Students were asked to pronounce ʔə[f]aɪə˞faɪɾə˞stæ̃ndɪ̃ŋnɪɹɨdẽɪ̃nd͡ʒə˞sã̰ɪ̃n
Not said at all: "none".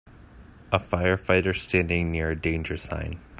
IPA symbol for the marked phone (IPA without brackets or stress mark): f